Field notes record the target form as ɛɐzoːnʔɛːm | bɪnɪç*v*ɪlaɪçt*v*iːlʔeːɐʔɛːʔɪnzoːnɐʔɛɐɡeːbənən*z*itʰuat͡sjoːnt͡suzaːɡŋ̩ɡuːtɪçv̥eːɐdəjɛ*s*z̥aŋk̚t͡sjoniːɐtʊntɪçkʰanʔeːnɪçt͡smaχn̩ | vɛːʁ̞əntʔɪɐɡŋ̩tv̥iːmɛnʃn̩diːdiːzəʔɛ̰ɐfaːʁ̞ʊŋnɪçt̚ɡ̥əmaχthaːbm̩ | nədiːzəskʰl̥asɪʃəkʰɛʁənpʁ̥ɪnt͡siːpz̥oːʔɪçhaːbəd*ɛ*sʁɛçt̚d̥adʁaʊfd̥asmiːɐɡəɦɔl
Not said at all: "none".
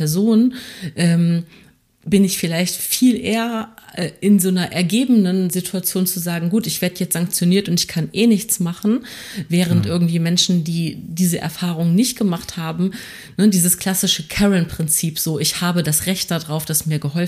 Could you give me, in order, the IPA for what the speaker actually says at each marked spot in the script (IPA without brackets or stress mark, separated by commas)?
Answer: f, f, z, t͡s, a